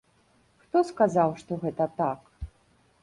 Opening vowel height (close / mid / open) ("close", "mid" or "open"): mid